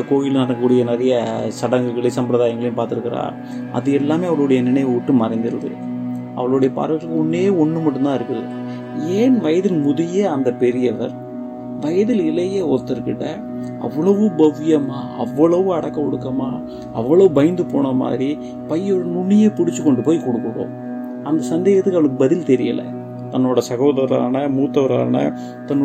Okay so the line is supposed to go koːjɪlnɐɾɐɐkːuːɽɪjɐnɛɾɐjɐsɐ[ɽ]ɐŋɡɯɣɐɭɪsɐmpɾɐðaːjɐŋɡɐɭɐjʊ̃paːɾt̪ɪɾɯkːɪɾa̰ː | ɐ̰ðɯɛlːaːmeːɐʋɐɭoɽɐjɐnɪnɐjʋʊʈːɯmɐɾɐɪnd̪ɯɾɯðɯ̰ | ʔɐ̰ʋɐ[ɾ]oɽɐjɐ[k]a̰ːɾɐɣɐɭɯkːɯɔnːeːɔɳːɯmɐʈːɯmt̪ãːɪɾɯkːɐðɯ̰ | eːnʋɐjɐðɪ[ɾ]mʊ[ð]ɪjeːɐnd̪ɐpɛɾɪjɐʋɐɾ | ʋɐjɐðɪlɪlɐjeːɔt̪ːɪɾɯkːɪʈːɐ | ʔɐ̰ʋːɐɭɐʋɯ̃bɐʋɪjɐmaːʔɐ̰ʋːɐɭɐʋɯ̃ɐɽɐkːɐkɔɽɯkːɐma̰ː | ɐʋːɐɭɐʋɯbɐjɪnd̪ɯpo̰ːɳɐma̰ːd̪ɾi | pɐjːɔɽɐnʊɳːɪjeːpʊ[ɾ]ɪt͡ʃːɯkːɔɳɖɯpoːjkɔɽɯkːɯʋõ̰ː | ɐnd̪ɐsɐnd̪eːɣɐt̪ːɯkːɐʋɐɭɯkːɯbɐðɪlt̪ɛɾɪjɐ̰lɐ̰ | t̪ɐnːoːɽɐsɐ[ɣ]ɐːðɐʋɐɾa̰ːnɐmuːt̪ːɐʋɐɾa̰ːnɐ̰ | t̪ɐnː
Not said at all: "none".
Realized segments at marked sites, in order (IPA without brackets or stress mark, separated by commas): ɽ, ɭ, p, l, ð, ɽ, ɣ